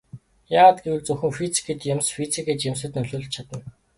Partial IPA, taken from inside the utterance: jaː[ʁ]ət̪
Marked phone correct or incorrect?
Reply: correct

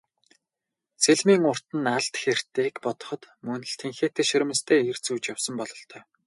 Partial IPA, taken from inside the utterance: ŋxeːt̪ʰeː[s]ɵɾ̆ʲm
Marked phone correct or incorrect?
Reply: incorrect: ʃ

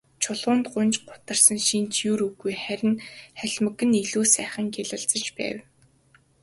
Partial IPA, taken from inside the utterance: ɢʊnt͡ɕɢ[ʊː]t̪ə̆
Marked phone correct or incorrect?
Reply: incorrect: ʊ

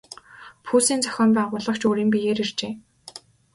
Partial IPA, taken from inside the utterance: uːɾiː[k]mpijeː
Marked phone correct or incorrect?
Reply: incorrect: none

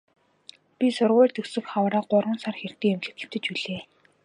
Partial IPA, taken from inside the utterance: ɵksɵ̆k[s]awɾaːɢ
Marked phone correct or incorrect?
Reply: incorrect: χ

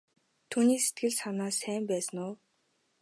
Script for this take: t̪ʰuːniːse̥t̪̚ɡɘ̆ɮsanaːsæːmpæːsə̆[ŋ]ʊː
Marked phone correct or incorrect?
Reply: incorrect: n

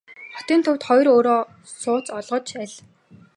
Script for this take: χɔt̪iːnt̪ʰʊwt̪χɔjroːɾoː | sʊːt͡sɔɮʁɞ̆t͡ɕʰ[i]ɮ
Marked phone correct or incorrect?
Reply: incorrect: æ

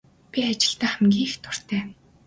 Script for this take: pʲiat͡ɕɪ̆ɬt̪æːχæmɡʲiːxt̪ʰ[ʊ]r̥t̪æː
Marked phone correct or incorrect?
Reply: correct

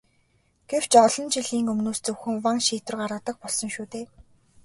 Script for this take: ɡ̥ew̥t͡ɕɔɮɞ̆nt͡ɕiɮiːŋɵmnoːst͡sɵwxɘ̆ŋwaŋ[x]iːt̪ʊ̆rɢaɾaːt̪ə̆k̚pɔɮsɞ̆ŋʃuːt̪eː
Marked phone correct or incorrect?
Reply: incorrect: ʃ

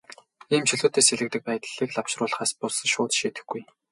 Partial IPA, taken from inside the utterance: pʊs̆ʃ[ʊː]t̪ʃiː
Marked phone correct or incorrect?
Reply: correct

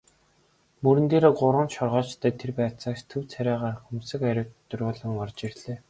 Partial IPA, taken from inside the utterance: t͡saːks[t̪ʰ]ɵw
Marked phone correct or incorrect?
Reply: correct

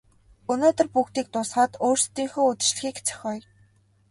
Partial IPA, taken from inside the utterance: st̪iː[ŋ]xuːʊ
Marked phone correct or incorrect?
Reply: correct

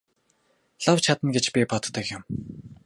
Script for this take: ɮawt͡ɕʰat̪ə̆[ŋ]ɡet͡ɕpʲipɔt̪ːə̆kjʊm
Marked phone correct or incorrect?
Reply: incorrect: n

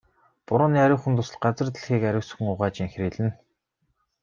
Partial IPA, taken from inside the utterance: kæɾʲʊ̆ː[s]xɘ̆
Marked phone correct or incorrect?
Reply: correct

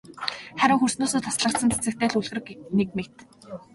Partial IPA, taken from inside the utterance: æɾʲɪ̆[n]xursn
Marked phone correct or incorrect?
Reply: incorrect: ŋ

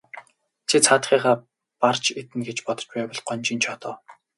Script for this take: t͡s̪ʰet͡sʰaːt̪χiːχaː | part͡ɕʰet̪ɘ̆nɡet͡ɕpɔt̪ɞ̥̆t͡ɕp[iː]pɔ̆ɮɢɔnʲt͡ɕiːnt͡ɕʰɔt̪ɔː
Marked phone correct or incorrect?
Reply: incorrect: æː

